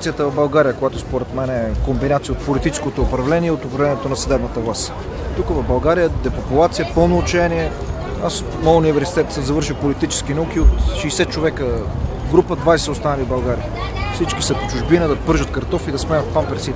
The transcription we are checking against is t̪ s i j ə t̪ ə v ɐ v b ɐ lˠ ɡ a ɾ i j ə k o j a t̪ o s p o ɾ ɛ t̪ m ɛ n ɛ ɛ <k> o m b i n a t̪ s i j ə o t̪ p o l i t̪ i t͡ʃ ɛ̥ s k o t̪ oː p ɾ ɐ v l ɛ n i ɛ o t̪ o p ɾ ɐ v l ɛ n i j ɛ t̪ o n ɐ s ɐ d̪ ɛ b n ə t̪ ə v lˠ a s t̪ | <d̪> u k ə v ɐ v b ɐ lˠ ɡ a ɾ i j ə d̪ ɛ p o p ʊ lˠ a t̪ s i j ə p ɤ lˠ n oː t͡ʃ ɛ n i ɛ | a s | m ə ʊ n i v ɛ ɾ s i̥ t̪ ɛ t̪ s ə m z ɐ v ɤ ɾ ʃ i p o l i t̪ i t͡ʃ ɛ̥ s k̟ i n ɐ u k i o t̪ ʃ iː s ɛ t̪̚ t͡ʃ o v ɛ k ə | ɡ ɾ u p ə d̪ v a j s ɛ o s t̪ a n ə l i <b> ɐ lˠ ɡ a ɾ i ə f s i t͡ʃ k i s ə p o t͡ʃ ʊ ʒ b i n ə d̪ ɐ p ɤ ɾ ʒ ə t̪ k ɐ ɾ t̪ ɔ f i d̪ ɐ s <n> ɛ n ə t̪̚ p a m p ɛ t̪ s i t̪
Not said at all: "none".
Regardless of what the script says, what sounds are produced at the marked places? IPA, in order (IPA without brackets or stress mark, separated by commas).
k, t̪, b, m